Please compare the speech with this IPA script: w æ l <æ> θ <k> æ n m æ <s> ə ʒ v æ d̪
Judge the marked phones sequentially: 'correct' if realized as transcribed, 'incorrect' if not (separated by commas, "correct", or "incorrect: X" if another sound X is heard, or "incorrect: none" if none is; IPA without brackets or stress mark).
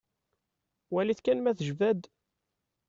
incorrect: i, correct, incorrect: θ